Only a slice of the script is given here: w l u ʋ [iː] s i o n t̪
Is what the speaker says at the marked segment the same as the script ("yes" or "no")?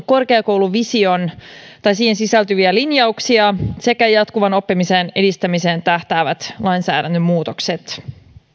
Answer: no